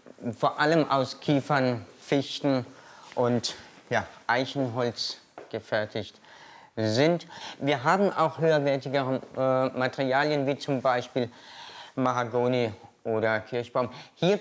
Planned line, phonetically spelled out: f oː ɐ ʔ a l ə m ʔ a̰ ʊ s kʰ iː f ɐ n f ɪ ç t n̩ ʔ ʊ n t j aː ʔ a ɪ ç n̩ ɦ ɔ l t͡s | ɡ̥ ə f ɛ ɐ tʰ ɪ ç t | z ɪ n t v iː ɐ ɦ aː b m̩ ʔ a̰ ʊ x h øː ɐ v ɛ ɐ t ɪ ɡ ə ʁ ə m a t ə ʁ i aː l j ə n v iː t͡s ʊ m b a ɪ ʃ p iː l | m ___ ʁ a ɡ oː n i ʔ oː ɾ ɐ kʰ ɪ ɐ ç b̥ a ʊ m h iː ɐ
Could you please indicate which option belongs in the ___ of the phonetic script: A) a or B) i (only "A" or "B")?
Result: A